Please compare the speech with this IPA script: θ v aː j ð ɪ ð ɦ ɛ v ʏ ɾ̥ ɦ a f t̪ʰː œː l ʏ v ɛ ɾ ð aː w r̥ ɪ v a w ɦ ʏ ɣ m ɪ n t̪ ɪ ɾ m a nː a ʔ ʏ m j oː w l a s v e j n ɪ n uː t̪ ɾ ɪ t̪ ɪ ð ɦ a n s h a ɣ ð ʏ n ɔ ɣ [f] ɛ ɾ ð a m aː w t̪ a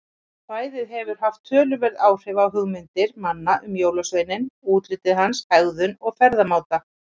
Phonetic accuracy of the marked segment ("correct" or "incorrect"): correct